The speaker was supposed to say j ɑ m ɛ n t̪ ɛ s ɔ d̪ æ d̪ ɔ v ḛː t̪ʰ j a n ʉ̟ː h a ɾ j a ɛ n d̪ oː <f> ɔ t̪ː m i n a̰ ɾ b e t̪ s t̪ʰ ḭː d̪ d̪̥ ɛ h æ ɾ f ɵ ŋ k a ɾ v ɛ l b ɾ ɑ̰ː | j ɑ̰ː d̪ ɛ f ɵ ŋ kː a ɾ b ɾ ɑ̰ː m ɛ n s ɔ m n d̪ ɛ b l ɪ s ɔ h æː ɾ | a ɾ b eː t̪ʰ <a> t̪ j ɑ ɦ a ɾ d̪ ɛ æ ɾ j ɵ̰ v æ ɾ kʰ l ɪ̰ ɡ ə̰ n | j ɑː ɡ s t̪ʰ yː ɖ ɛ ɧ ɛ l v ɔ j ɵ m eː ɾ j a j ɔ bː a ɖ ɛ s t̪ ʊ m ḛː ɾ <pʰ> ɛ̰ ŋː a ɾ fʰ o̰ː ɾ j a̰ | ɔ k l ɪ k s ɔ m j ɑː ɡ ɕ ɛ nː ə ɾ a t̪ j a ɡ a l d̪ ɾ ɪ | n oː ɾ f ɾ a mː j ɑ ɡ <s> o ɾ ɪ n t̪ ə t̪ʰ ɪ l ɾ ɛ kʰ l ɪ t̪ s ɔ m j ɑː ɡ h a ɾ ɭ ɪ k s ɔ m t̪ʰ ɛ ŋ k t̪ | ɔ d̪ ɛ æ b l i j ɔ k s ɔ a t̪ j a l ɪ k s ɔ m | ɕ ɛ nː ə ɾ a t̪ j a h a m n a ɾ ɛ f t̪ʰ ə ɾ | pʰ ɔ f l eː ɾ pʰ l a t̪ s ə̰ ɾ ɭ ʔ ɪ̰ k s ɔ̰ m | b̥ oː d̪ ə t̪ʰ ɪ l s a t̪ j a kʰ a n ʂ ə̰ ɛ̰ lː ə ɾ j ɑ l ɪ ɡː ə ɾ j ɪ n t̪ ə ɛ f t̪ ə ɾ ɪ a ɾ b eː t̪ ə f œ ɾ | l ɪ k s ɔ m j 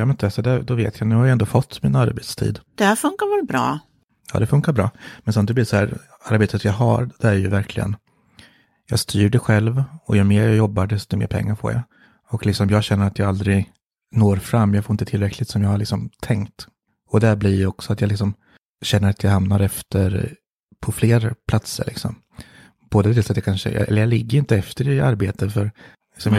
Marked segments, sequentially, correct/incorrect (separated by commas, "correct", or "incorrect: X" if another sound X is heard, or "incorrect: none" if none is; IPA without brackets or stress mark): correct, incorrect: ə, correct, incorrect: f